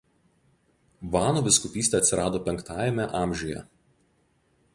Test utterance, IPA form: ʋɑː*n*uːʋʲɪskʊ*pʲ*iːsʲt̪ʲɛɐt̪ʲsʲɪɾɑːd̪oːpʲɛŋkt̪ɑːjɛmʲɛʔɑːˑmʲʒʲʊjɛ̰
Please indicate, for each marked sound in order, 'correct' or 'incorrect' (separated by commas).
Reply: correct, correct